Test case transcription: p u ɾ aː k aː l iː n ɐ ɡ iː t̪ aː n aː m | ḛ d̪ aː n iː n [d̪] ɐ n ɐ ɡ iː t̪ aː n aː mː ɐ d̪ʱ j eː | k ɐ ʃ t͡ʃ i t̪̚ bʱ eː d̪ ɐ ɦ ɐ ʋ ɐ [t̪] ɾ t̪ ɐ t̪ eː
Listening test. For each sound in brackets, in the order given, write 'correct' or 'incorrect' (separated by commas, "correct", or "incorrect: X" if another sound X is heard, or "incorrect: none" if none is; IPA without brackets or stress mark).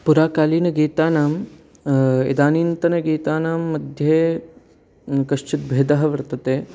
incorrect: t̪, incorrect: none